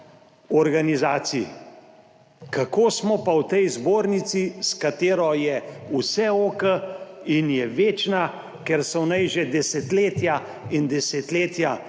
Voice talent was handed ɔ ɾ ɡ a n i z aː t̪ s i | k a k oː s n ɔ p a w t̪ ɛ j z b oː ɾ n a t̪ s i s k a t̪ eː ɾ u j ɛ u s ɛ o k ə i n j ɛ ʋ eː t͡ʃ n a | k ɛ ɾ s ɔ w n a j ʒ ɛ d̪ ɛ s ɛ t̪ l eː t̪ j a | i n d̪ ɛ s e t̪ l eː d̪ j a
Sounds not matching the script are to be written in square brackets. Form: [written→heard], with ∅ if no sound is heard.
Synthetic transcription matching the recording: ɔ ɾ ɡ a n i z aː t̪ s i | k a k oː s [n→m] ɔ p a w t̪ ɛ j z b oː ɾ n [a→i] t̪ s i s k a t̪ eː ɾ [u→ɔ] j ɛ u s ɛ o k ə i n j ɛ ʋ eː t͡ʃ n a | k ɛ ɾ s ɔ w n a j ʒ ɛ d̪ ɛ s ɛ t̪ l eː t̪ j a | i n d̪ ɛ s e t̪ l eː [d̪→t̪] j a